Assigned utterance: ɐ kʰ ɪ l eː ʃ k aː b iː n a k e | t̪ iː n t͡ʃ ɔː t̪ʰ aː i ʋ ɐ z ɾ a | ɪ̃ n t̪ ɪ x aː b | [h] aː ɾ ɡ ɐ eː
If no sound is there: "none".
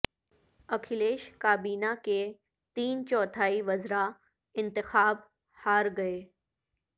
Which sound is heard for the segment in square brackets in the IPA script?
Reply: h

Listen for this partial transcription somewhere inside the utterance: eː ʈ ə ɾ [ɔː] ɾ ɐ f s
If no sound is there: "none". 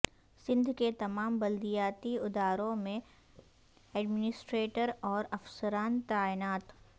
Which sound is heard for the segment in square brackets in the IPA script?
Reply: ɔː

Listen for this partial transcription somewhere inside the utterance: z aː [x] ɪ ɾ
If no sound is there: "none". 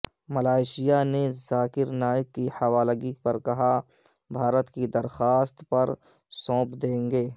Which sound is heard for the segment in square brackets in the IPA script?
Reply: k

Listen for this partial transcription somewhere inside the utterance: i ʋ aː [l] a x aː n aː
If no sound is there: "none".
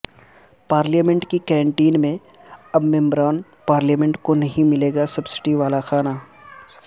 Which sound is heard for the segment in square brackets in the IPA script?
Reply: l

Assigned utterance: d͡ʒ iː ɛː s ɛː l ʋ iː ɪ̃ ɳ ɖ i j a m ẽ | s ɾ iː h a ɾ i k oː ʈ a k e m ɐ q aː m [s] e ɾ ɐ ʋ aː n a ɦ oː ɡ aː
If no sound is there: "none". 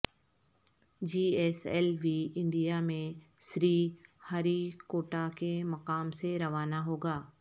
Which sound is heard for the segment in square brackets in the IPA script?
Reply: s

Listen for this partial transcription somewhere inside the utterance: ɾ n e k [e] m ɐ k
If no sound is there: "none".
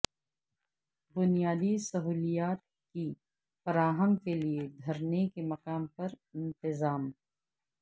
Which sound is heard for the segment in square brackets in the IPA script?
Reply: e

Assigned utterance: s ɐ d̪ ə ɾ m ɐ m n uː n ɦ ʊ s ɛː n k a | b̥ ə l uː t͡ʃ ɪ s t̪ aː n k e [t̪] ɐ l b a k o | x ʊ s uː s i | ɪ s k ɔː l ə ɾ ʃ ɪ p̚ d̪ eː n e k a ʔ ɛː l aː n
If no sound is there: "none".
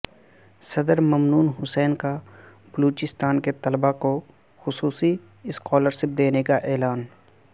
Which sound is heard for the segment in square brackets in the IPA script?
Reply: t̪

